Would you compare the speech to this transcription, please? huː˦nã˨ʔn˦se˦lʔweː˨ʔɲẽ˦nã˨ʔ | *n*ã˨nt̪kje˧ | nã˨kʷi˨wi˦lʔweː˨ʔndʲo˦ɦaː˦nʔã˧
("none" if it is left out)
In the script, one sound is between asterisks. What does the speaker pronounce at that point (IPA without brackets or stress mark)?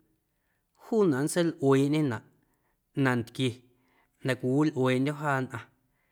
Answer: n